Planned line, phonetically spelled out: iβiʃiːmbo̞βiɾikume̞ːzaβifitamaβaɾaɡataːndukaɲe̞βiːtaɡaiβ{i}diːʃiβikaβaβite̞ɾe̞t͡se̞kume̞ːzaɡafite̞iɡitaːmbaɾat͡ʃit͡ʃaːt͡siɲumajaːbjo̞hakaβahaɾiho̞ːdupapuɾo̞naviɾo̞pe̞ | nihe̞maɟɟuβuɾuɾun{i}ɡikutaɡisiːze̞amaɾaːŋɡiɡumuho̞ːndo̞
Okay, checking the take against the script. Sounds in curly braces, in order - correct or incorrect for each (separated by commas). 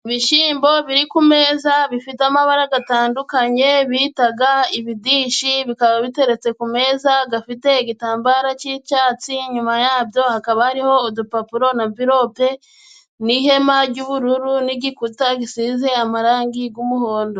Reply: correct, correct